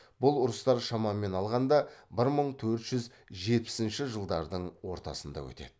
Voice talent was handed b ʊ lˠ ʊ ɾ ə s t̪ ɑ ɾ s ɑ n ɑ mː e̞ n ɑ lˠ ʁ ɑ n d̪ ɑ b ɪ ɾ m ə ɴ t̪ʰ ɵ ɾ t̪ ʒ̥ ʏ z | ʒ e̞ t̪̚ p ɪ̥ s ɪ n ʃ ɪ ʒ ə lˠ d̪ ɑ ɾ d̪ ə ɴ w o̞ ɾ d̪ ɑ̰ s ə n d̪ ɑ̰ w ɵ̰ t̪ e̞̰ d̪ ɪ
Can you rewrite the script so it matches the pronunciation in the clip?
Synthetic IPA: b ʊ lˠ ʊ ɾ ə s t̪ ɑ ɾ ʃ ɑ m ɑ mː e̞ n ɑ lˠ ʁ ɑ n d̪ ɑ b ɪ ɾ m ə ɴ t̪ʰ ɵ ɾ t̪ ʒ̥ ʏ z | ʒ e̞ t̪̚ p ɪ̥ s ɪ n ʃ ɪ ʒ ə lˠ d̪ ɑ ɾ d̪ ə ɴ w o̞ ɾ t̪ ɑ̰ s ə n d̪ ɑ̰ w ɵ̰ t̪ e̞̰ d̪ ɪ